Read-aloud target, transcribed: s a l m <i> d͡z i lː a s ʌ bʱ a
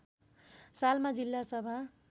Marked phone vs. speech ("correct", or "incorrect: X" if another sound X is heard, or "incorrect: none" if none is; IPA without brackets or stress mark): incorrect: a